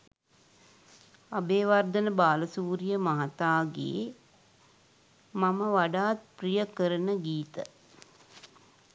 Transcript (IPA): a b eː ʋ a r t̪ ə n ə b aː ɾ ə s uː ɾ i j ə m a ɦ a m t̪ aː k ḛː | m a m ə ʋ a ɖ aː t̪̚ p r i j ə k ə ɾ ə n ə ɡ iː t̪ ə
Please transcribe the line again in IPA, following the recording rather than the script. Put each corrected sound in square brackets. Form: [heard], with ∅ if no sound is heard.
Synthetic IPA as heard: a b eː ʋ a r [d̪] ə n ə b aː [l] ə s uː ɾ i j ə m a ɦ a [∅] t̪ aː [ɡ] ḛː | m a m ə ʋ a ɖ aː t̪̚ p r i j ə k ə ɾ ə n ə ɡ iː t̪ ə

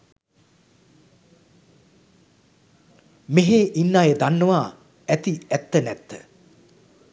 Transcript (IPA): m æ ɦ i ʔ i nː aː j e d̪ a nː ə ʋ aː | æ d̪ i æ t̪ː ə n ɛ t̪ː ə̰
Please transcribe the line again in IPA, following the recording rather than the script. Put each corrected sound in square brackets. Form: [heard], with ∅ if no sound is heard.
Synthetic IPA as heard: m [e] ɦ [e] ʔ i nː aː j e d̪ a nː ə ʋ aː | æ [t̪] i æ t̪ː ə n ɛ t̪ː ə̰

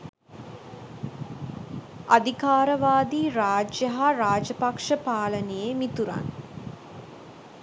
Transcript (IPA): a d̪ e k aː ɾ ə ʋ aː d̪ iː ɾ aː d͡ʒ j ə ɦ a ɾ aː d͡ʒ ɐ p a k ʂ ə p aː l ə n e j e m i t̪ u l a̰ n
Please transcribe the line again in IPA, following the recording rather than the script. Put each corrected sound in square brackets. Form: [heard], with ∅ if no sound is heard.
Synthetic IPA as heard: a d̪ [i] k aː ɾ ə ʋ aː d̪ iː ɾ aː d͡ʒ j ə ɦ a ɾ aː d͡ʒ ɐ p a k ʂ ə p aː l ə n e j e m i t̪ u [ɾ] a̰ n

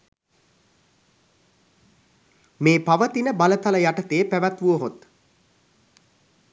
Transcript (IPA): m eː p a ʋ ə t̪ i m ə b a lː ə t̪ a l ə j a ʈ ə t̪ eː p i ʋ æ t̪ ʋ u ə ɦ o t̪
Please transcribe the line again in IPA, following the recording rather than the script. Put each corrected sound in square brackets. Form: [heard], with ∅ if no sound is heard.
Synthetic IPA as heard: m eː p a ʋ ə t̪ i [n] ə b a [l] ə t̪ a l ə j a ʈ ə t̪ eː p [æ] ʋ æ t̪ ʋ u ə ɦ o t̪

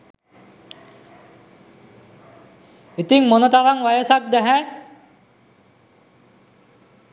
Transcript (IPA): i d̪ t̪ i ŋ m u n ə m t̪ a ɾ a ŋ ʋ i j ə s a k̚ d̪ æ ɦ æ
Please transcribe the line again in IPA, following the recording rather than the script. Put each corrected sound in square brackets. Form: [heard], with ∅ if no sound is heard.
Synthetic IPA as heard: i [∅] t̪ i ŋ m [o] n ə [∅] t̪ a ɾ a ŋ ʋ [a] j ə s a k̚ d̪ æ ɦ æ

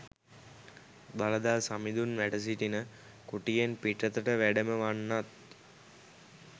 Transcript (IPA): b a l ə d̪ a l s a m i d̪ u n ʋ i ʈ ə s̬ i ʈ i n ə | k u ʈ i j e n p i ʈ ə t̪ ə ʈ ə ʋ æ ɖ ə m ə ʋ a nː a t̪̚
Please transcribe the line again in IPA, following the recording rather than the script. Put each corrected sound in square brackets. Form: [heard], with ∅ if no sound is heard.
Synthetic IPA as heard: b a l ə d̪ a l s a m i d̪ u n ʋ [æ] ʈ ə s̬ i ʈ i n ə | k u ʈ i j e n p i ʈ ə t̪ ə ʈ ə ʋ æ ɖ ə m ə ʋ a nː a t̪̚

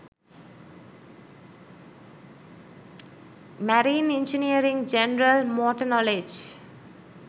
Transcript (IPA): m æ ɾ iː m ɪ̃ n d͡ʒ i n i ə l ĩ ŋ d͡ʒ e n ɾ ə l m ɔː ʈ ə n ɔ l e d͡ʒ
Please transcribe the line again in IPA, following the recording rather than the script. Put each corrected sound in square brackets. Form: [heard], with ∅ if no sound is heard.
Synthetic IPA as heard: m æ ɾ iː [n] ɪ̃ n d͡ʒ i n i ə [ɾ] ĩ ŋ d͡ʒ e n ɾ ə l m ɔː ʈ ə n ɔ l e d͡ʒ

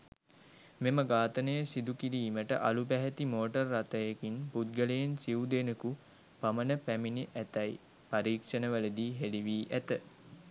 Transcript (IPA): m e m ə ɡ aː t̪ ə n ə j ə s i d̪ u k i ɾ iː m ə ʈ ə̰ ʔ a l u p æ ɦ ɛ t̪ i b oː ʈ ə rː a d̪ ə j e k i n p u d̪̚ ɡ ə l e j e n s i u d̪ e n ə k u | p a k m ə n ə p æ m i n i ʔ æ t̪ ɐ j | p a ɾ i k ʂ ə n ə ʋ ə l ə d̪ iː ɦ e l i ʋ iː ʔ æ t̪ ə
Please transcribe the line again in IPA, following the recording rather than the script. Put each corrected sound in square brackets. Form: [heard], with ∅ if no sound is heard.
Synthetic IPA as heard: m e m ə ɡ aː t̪ ə n ə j ə s i d̪ u k i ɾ iː m ə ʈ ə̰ ʔ a l u p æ ɦ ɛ t̪ i [m] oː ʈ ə rː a [t̪] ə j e k i n p u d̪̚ ɡ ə l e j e n s i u d̪ e n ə k u | p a [∅] m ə n ə p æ m i n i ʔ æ t̪ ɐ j | p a ɾ [iː] k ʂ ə n ə ʋ ə l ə d̪ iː ɦ e l i ʋ iː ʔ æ t̪ ə

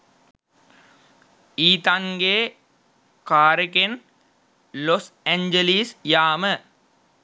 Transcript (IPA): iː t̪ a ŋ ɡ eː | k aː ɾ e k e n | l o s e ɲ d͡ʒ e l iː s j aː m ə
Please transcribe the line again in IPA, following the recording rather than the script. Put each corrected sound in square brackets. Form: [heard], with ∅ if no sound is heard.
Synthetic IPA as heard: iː t̪ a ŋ ɡ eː | k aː ɾ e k e n | l o s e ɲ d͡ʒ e l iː s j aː m ə

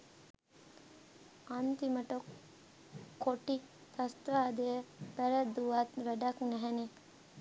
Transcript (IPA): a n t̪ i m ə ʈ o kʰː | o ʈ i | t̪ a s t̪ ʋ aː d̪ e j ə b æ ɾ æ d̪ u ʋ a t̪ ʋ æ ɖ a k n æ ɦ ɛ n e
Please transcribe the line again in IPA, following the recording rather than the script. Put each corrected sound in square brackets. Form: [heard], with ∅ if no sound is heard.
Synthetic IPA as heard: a n t̪ i m ə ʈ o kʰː | o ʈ i | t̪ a s t̪ ʋ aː d̪ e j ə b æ ɾ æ d̪ u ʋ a t̪ ʋ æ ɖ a k n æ ɦ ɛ n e

